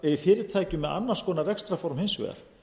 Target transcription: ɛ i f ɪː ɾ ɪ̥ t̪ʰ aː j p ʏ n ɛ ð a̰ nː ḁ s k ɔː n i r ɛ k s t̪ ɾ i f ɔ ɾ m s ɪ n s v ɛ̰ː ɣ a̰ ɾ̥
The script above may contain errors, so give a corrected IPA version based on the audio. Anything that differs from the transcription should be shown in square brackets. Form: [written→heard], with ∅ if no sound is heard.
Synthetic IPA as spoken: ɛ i f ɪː ɾ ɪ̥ t̪ʰ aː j [p→c] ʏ [n→m] ɛ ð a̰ nː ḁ s k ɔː n [i→a] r ɛ k s t̪ ɾ [i→a] f ɔ ɾ m [s→h] ɪ n s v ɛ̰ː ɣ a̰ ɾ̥

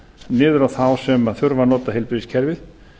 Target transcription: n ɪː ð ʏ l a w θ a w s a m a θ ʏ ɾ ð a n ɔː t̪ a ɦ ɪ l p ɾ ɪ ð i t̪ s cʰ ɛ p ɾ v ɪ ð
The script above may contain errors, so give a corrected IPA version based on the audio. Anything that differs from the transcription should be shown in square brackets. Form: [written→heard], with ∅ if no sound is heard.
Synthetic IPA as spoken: n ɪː ð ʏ [l→ɾ] a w θ a w s [a→ɛ] m a θ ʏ ɾ [ð→v] a n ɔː t̪ a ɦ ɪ l p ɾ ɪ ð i [t̪→∅] s cʰ ɛ [p→∅] ɾ v ɪ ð

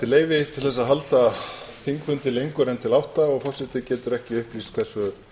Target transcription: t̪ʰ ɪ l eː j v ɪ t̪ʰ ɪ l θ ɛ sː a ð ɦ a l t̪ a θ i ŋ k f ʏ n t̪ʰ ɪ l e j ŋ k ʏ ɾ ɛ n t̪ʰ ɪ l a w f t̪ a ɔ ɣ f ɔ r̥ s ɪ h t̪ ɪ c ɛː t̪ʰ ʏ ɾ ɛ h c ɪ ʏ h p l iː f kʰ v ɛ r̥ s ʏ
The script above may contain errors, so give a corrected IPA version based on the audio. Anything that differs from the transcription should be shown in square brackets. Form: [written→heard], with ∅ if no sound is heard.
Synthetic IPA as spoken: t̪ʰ ɪ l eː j v ɪ t̪ʰ ɪ l θ ɛ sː a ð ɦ a l t̪ a θ i ŋ k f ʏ n [t̪ʰ→t̪] ɪ l e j ŋ k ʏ ɾ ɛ n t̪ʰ ɪ l a w [f→h] t̪ a ɔ ɣ f ɔ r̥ s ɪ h t̪ ɪ c ɛː [t̪ʰ→t̪] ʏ ɾ ɛ h c ɪ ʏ h p l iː [f→s] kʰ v ɛ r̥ s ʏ

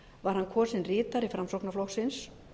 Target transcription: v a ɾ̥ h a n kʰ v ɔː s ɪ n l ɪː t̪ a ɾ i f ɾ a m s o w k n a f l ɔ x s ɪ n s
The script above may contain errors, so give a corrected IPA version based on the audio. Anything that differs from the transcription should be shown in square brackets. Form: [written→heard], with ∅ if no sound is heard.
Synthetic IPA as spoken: v a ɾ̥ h a n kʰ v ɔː s ɪ n [l→r] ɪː t̪ a ɾ i f ɾ a m s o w k n a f l ɔ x s ɪ n s

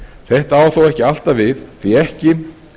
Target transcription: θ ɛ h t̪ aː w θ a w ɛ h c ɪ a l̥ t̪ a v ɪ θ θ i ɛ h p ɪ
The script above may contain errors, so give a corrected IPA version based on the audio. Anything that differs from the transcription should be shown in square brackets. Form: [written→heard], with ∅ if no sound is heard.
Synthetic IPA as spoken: θ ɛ h t̪ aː w θ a w ɛ h c ɪ a l̥ t̪ a v ɪ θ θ i ɛ h [p→c] ɪ

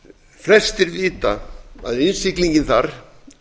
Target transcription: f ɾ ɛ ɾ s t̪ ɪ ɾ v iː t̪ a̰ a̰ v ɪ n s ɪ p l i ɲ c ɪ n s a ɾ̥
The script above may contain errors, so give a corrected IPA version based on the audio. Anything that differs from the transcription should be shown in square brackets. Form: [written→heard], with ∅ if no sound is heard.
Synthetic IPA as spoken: f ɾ ɛ [ɾ→∅] s t̪ ɪ ɾ v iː t̪ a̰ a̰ [v→ð] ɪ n s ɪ [p→k] l i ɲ c ɪ n [s→θ] a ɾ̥

